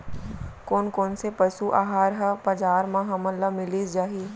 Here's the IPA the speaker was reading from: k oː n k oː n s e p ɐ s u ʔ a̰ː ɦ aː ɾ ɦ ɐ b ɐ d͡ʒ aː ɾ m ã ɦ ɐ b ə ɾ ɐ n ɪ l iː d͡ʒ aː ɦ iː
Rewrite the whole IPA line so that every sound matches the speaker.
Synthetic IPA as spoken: k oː n k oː n s e p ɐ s u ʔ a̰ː ɦ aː ɾ ɦ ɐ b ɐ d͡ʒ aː ɾ m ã ɦ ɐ m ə l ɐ m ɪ l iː d͡ʒ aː ɦ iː